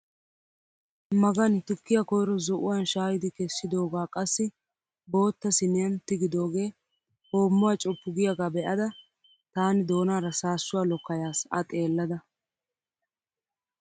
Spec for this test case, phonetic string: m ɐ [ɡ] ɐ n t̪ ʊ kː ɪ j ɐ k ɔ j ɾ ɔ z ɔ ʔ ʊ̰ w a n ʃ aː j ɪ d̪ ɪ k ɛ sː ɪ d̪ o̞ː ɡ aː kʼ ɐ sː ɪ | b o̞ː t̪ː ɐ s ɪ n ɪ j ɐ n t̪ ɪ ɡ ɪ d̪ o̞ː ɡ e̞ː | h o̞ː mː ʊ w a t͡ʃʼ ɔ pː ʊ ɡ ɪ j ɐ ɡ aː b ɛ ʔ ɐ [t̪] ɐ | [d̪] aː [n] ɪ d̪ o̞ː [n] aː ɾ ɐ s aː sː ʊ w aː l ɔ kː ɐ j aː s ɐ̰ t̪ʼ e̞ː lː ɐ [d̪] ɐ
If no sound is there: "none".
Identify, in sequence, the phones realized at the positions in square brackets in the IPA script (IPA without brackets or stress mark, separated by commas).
ɡ, d̪, t̪, n, n, d̪